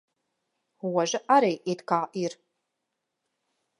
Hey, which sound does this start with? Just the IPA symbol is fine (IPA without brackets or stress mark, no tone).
w